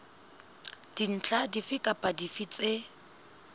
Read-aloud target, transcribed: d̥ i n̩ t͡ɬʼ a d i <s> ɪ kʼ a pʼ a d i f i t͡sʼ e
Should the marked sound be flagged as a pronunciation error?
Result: yes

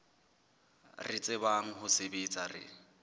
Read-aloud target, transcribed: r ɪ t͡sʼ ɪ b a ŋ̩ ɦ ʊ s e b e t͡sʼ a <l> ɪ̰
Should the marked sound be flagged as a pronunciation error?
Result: yes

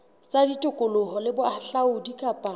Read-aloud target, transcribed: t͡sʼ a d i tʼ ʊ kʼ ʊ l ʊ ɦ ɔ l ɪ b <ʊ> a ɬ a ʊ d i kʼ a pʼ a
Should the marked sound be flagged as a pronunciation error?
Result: no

